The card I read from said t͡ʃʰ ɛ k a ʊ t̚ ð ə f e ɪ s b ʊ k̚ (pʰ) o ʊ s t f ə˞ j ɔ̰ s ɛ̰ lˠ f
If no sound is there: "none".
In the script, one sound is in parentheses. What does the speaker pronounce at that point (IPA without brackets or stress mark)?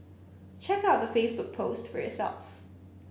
pʰ